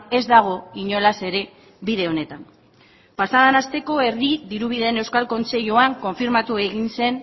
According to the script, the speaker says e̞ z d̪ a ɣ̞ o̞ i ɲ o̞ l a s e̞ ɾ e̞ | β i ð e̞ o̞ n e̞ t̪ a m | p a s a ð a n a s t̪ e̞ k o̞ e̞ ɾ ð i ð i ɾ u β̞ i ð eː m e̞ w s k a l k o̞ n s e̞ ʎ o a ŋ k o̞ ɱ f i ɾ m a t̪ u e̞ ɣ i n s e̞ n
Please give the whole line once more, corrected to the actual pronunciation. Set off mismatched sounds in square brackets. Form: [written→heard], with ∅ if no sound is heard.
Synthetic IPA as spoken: e̞ z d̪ a ɣ̞ o̞ i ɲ o̞ l a s e̞ ɾ e̞ | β i ð e̞ o̞ n e̞ t̪ a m | p a s a ð a n a s t̪ e̞ k o̞ e̞ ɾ ð i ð i ɾ u β̞ i ð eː [m→n] e̞ w s k a l k o̞ n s e̞ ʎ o a ŋ k o̞ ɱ f i ɾ m a t̪ u e̞ ɣ i n s e̞ n

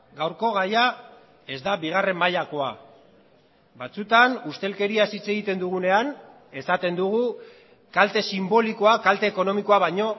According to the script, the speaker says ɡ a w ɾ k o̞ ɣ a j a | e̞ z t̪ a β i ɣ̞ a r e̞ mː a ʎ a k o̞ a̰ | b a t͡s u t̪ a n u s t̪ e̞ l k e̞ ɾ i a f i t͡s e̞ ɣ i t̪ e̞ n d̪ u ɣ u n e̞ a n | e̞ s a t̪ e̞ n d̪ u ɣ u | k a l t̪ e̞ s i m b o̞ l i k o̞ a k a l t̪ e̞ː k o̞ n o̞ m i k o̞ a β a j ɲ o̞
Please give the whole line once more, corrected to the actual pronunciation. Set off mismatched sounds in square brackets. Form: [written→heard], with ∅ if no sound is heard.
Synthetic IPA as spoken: ɡ a w ɾ k o̞ ɣ a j a | e̞ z [t̪→d̪] a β i ɣ̞ a r e̞ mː a ʎ a k o̞ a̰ | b a t͡s u t̪ a n u s t̪ e̞ l k e̞ ɾ i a [f→s] i t͡s e̞ ɣ i t̪ e̞ n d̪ u ɣ u n e̞ a n | e̞ s a t̪ e̞ n d̪ u ɣ u | k a l t̪ e̞ s i m b o̞ l i k o̞ a k a l t̪ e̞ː k o̞ n o̞ m i k o̞ a β a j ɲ o̞

